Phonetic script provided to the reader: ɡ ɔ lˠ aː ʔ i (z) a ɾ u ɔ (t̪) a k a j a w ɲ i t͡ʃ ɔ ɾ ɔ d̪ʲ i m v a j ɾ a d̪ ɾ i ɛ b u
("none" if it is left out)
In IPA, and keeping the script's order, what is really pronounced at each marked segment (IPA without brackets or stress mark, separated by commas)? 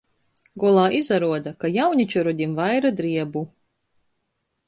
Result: z, d̪